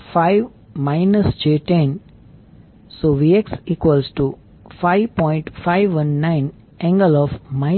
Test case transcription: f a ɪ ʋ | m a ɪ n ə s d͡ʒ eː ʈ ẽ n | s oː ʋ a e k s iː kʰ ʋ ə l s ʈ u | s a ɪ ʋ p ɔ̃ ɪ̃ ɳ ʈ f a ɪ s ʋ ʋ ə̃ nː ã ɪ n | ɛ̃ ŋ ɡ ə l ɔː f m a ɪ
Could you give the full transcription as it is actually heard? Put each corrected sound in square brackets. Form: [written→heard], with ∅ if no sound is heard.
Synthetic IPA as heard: f a ɪ ʋ | m a ɪ n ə s d͡ʒ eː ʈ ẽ n | s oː ʋ [a→i] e k s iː [kʰ→k] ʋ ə l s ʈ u | [s→f] a ɪ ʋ p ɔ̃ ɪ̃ ɳ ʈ f a ɪ [s→∅] ʋ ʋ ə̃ nː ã ɪ n | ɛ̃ ŋ ɡ ə l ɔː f m a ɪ